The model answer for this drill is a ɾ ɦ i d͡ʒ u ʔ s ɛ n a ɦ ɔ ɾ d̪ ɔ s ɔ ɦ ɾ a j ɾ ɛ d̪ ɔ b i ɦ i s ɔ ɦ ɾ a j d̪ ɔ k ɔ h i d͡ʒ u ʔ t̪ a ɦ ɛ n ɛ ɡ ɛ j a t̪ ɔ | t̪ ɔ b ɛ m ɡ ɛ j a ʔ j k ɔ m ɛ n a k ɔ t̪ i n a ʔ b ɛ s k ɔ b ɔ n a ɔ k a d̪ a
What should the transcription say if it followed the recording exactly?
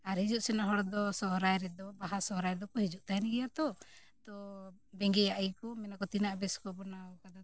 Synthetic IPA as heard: a ɾ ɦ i d͡ʒ u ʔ s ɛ n a ɦ ɔ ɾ d̪ ɔ s ɔ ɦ ɾ a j ɾ ɛ d̪ ɔ b a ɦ a s ɔ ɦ ɾ a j d̪ ɔ k ɔ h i d͡ʒ u ʔ t̪ a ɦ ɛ n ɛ ɡ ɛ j a t̪ ɔ | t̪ ɔ b ɛ ŋ ɡ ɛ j a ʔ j k ɔ m ɛ n a k ɔ t̪ i n a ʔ b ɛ s k ɔ b ɔ n a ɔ k a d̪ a